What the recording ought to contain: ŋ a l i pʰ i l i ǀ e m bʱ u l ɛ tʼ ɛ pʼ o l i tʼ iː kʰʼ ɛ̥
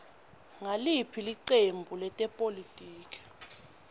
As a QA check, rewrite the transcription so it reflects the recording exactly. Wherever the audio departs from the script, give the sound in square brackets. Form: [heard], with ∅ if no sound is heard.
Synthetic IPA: ŋ a l i pʰ i l i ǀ e m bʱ u l ɛ tʼ ɛ pʼ o l i tʼ iː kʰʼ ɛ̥